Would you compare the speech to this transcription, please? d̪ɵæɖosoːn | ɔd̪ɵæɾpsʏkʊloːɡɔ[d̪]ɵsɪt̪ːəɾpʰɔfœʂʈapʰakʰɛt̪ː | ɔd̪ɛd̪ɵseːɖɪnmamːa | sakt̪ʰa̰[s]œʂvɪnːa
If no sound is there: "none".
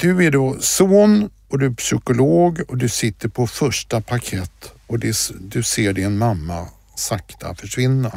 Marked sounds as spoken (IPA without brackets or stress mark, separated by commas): d̪, f